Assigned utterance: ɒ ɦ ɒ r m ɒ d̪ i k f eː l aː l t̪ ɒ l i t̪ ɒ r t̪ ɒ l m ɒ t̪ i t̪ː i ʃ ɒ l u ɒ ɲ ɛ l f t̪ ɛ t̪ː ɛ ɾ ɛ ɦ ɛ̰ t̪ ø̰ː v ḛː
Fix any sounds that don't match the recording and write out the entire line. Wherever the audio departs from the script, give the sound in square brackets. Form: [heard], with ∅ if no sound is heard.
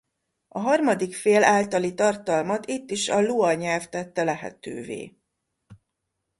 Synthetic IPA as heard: ɒ ɦ ɒ r m ɒ d̪ i k f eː l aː l t̪ ɒ l i t̪ ɒ r t̪ ɒ l m ɒ t̪ i t̪ː i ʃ ɒ l u ɒ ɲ ɛ l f t̪ ɛ t̪ː ɛ [l] ɛ ɦ ɛ̰ t̪ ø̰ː v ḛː